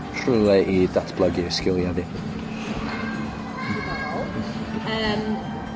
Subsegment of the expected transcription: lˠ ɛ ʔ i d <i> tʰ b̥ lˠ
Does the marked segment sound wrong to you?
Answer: yes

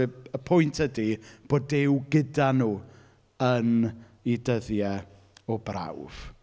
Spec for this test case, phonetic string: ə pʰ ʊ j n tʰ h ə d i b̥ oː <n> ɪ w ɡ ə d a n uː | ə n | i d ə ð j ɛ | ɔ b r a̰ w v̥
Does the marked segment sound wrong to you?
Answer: yes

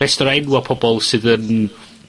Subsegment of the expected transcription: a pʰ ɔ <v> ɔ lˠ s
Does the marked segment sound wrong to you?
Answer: yes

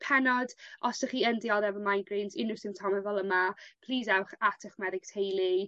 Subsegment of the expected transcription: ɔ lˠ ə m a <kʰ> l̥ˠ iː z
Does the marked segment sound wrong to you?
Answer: yes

